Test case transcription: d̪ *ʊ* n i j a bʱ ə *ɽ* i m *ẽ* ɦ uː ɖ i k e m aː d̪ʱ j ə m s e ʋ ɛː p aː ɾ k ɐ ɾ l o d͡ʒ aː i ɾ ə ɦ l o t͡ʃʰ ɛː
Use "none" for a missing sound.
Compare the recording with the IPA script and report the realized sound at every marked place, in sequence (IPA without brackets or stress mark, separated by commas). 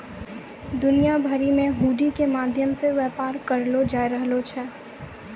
ʊ, ɾ, ẽ